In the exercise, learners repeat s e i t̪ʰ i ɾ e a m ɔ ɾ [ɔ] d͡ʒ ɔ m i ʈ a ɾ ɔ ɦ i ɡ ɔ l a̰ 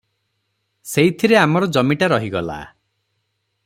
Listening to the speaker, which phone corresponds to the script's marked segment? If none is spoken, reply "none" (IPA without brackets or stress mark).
ɔ